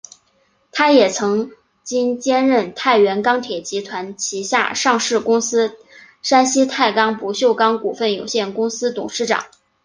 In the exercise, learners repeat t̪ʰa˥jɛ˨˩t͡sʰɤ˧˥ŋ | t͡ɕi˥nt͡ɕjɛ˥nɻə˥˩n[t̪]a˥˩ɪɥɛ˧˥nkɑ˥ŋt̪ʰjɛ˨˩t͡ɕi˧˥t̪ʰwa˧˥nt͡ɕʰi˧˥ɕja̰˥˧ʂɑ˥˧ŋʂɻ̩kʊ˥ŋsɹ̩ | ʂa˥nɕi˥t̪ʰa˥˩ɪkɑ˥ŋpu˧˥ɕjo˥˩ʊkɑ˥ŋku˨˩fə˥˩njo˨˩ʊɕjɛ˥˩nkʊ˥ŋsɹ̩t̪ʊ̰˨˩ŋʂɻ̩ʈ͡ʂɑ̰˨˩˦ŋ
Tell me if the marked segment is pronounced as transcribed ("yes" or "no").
no